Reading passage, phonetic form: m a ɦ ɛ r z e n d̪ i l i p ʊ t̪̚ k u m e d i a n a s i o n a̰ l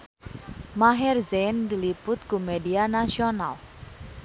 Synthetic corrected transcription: m a ɦ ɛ r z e n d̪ i l i p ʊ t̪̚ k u m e d i a n a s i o n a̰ l